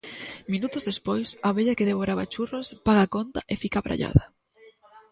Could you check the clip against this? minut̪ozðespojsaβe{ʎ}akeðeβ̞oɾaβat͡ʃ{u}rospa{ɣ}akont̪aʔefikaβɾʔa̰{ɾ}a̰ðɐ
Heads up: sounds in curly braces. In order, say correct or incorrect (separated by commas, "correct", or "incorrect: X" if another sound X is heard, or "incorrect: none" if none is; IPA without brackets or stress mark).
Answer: correct, correct, correct, incorrect: ʎ